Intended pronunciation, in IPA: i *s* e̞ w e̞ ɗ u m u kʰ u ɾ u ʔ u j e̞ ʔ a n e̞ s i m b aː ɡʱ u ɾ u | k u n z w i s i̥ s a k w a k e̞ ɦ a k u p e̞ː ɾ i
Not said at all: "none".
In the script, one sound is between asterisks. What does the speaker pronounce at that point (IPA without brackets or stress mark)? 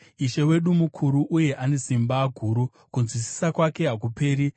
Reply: ʃ